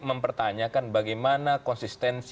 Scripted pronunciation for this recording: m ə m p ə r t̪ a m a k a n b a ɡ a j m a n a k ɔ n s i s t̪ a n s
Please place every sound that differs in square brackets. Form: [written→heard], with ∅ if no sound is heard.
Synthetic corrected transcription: m ə m p ə r t̪ a [m→ɲ] a k a n b a ɡ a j m a n a k ɔ n s i s t̪ [a→ɛ] n s